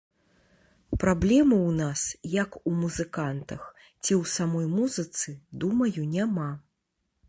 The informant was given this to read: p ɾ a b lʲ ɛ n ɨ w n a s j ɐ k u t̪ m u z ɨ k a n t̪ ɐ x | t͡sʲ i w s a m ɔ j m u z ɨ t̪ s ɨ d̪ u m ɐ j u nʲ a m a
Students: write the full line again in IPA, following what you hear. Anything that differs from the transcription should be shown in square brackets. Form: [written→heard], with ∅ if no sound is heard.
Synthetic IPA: p ɾ a b lʲ ɛ [n→m] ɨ w n a s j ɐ k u [t̪→∅] m u z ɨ k a n t̪ ɐ x | t͡sʲ i w s a m ɔ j m u z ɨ t̪ s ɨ d̪ u m ɐ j u nʲ a m a

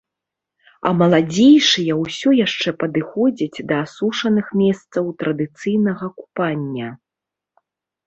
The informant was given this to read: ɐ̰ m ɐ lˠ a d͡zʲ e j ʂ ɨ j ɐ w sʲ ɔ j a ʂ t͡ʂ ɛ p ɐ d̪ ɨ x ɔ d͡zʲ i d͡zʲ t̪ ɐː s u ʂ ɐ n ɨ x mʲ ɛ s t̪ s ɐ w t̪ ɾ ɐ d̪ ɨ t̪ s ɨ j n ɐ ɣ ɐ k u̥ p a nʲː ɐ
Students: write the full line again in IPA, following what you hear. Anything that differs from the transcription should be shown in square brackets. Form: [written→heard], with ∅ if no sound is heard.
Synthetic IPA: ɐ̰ m ɐ lˠ a d͡zʲ e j ʂ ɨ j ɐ w sʲ ɔ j a ʂ t͡ʂ ɛ p ɐ d̪ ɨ x ɔ d͡zʲ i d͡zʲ [t̪→d̪] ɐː s u ʂ ɐ n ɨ x mʲ ɛ s t̪ s ɐ w t̪ ɾ ɐ d̪ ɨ t̪ s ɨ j n ɐ ɣ ɐ k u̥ p a nʲː ɐ

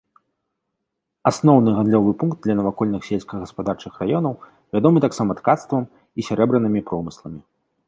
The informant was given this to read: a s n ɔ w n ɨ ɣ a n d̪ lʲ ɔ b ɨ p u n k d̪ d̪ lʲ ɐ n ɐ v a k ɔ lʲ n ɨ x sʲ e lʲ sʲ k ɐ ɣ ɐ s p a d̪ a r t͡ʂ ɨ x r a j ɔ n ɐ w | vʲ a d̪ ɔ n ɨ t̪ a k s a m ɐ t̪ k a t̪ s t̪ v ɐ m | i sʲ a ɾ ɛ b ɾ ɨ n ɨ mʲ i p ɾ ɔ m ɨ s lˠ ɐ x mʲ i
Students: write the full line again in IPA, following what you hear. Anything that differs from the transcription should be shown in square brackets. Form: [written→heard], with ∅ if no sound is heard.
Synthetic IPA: a s n ɔ w n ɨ ɣ a n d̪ lʲ ɔ [b→v] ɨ p u n k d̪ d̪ lʲ ɐ n ɐ v a k ɔ lʲ n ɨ x sʲ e lʲ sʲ k ɐ ɣ ɐ s p a d̪ a r t͡ʂ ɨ x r a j ɔ n ɐ w | vʲ a d̪ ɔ [n→m] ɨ t̪ a k s a m ɐ t̪ k a t̪ s t̪ v ɐ m | i sʲ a ɾ ɛ b ɾ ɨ n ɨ mʲ i p ɾ ɔ m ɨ s lˠ ɐ [x→∅] mʲ i

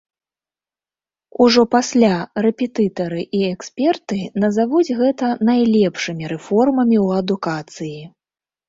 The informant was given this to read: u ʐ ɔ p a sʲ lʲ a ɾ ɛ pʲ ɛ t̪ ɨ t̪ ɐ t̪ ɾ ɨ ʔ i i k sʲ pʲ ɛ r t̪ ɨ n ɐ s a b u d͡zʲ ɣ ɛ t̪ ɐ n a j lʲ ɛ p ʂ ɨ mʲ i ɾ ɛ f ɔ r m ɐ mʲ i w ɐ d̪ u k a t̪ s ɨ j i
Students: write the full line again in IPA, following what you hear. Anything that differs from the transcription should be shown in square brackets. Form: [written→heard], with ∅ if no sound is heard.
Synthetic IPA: u ʐ ɔ p a sʲ lʲ a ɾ ɛ pʲ ɛ t̪ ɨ t̪ ɐ [t̪→∅] ɾ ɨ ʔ i [i→ɛ] k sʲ pʲ ɛ r t̪ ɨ n ɐ [s→z] a [b→v] u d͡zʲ ɣ ɛ t̪ ɐ n a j lʲ ɛ p ʂ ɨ mʲ i ɾ ɛ f ɔ r m ɐ mʲ i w ɐ d̪ u k a t̪ s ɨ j i

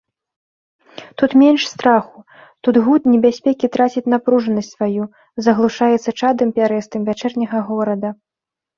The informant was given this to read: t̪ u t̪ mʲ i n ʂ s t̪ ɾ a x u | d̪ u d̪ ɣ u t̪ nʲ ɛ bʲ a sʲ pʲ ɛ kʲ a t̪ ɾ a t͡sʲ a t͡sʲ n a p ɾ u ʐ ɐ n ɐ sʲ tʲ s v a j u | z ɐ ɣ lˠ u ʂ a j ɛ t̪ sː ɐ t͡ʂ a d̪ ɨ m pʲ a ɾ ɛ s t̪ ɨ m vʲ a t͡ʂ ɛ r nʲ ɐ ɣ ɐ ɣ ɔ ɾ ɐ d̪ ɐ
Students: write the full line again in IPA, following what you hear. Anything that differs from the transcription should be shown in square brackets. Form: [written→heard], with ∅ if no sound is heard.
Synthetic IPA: t̪ u t̪ mʲ [i→ɛ] n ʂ s t̪ ɾ a x u | [d̪→t̪] u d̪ ɣ u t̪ nʲ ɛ bʲ a sʲ pʲ ɛ kʲ [a→i] t̪ ɾ a t͡sʲ [a→i] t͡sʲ n a p ɾ u ʐ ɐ n ɐ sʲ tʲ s v a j u | z ɐ ɣ lˠ u ʂ a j ɛ t̪ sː ɐ t͡ʂ a d̪ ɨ m pʲ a ɾ ɛ s t̪ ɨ m vʲ a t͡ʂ ɛ r nʲ ɐ ɣ ɐ ɣ ɔ ɾ ɐ d̪ ɐ

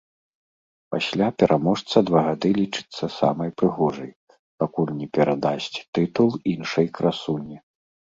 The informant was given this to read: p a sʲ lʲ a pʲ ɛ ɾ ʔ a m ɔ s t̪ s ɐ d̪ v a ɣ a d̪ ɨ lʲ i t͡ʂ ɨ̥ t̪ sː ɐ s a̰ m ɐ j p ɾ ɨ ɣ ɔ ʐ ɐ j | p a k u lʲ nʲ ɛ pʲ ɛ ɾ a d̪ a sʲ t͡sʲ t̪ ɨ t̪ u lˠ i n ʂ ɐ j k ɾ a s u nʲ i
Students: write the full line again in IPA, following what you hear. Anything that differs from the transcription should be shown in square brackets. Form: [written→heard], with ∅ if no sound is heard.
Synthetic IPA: p a sʲ lʲ a pʲ ɛ ɾ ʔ a m ɔ [s→ʂ] t̪ s ɐ d̪ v a ɣ a d̪ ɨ lʲ i t͡ʂ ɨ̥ t̪ sː ɐ s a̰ m ɐ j p ɾ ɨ ɣ ɔ ʐ ɐ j | p a k u lʲ nʲ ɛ pʲ ɛ ɾ a d̪ a sʲ t͡sʲ t̪ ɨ t̪ u lˠ i n ʂ ɐ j k ɾ a s u nʲ i

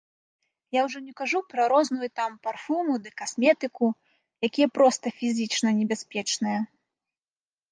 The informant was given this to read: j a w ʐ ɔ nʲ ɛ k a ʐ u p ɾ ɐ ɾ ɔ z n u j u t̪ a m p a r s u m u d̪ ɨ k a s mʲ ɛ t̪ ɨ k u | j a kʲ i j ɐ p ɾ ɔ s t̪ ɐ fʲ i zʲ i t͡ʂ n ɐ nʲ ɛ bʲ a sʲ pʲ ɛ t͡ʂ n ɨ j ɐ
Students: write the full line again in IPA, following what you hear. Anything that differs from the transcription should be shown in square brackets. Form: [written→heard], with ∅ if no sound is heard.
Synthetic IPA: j a w ʐ ɔ nʲ ɛ k a ʐ u p ɾ ɐ ɾ ɔ z n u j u t̪ a m p a r [s→f] u m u d̪ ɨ k a s mʲ ɛ t̪ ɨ k u | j a kʲ i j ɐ p ɾ ɔ s t̪ ɐ fʲ i zʲ i t͡ʂ n ɐ nʲ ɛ bʲ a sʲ pʲ ɛ t͡ʂ n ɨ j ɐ

